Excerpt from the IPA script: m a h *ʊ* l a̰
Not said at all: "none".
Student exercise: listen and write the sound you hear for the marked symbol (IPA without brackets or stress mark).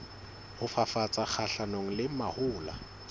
ʊː